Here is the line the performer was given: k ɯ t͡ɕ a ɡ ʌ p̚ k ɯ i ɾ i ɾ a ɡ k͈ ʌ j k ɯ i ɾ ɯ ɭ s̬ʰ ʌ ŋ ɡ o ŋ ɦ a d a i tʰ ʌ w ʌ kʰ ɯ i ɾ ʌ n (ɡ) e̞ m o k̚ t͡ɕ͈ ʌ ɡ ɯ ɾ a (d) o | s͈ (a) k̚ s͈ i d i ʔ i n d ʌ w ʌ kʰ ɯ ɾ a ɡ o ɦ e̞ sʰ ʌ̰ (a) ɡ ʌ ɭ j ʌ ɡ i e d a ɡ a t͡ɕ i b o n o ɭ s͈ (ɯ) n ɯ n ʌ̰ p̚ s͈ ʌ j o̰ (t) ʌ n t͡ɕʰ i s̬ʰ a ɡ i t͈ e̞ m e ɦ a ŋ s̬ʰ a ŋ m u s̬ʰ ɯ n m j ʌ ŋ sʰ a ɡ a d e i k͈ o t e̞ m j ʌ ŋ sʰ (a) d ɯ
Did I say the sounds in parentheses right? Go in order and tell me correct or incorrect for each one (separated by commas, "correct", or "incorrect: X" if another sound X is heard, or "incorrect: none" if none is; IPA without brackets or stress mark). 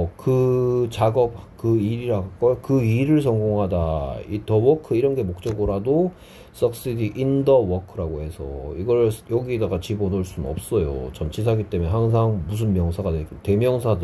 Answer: correct, correct, incorrect: ʌ, incorrect: i, incorrect: u, incorrect: t͡ɕ, correct